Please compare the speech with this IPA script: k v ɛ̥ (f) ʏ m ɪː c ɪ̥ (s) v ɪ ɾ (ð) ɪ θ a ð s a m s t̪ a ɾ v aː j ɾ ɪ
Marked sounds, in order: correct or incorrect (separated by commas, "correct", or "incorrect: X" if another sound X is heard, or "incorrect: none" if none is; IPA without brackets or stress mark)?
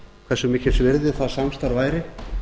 incorrect: s, correct, correct